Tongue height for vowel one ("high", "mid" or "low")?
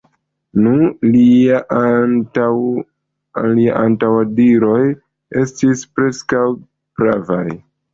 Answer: high